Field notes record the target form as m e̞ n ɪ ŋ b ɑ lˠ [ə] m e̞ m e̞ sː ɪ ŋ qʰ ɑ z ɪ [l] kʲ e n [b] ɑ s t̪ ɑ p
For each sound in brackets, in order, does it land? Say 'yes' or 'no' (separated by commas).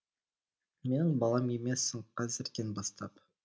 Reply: no, no, yes